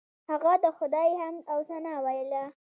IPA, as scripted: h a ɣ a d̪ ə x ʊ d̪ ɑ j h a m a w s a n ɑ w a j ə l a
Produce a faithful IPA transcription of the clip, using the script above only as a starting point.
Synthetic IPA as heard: h a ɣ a d̪ ə x ʊ d̪ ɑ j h a m a w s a n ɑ w a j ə l a

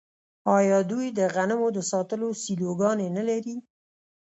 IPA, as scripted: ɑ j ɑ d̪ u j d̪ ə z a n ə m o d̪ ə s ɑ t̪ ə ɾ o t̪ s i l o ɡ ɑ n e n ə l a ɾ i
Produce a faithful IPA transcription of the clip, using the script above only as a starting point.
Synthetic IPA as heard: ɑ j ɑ d̪ u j d̪ ə ɣ a n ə m o d̪ ə s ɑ t̪ ə l o s i l o ɡ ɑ n e n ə l a ɾ i

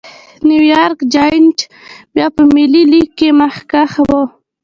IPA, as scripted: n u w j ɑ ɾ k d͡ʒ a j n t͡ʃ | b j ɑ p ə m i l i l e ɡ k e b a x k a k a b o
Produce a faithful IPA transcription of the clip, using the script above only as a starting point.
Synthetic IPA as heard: n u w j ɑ ɾ k d͡ʒ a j n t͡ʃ | b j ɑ p ə m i l i l i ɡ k e m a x k a x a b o

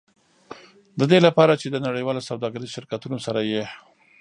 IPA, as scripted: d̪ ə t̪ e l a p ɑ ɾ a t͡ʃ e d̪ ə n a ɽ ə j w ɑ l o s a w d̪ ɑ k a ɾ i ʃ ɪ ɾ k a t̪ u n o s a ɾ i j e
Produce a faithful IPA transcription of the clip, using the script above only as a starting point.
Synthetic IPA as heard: d̪ ə d̪ e l a p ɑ ɾ a t͡ʃ e d̪ ə n a ɽ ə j w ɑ l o s a w d̪ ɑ ɡ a ɾ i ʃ ɪ ɾ k a t̪ u n o s a ɾ a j e

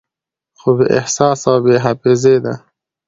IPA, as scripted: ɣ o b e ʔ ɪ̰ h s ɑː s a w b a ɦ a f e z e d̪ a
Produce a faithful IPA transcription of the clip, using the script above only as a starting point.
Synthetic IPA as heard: x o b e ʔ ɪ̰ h s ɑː s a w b e ɦ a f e z e d̪ a

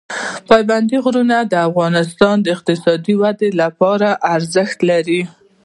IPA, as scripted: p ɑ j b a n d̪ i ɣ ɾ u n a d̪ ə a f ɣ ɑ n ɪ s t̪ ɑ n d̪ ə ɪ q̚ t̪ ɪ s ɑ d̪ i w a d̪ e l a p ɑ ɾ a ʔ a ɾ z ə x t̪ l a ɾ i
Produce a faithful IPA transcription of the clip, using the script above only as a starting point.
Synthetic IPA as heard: p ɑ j b a n d̪ i ɣ ɾ u n a d̪ ə a f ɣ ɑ n ɪ s t̪ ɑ n d̪ ə ɪ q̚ t̪ ɪ s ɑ d̪ i w a d̪ e l a p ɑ ɾ a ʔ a ɾ z ə x t̪ l a ɾ i

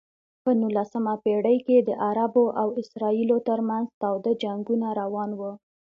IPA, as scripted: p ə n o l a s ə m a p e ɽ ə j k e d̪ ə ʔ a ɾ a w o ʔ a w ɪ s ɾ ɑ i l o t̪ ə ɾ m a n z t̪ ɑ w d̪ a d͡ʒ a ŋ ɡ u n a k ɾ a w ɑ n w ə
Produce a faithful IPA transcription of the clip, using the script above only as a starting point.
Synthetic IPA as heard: p ə n u l a s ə m a p e ɽ ə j k e d̪ ə ʔ a ɾ a b o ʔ a w ɪ s ɾ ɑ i l o t̪ ə ɾ m a n z t̪ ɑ w d̪ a d͡ʒ a ŋ ɡ u n a ɾ a w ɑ n w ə

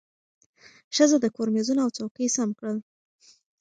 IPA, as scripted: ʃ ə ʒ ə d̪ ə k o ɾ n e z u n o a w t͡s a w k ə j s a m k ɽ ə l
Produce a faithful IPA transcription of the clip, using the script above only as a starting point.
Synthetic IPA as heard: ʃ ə z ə d̪ ə k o ɾ m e z u n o a w t͡s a w k ə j s a m k ɽ ə l

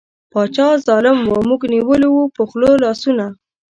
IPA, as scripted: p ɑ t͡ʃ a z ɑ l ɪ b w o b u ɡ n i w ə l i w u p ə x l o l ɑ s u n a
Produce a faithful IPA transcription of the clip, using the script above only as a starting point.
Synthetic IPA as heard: p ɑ t͡ʃ ɑ z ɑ l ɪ m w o m u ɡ n i w ə l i w u p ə x l o l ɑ s u n a

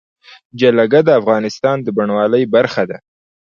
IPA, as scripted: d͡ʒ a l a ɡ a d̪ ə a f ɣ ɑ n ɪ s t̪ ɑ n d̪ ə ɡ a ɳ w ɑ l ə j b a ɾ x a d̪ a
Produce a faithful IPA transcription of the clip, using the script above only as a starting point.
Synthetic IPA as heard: d͡ʒ a l a ɡ a d̪ ə a f ɣ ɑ n ɪ s t̪ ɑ n d̪ ə b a ɳ w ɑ l ə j b a ɾ x a d̪ a

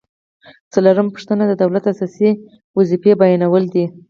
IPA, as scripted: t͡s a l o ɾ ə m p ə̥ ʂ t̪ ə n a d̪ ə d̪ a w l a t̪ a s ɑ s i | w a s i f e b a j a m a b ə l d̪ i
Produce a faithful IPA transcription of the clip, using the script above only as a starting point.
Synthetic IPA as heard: t͡s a l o ɾ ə m p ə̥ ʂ t̪ ə n a d̪ ə d̪ a w l a t̪ a s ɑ s i | w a z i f e b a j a n a w ə l d̪ i

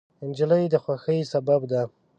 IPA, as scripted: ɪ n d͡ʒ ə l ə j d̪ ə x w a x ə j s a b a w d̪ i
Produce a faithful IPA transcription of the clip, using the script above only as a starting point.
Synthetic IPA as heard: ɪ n d͡ʒ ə l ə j d̪ ə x w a x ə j s a b a b d̪ a

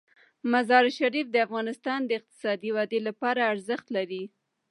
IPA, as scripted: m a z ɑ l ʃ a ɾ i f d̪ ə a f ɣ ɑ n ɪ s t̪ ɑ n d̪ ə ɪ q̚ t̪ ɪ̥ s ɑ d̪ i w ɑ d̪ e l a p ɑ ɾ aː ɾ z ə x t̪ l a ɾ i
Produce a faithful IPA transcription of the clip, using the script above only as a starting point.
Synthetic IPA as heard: m a z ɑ ɾ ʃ a ɾ i f d̪ ə a f ɣ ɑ n ɪ s t̪ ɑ n d̪ ə ɪ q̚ t̪ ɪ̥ s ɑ d̪ i w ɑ d̪ e l a p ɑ ɾ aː ɾ z ə x t̪ l a ɾ i

